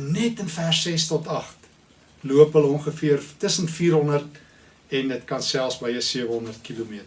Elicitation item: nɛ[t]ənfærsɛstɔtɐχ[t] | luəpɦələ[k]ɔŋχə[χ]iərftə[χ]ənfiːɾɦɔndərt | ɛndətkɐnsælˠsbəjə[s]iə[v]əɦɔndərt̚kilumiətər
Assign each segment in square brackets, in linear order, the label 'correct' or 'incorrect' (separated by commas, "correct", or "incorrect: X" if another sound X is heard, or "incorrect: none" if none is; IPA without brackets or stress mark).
correct, correct, incorrect: none, incorrect: f, incorrect: s, correct, correct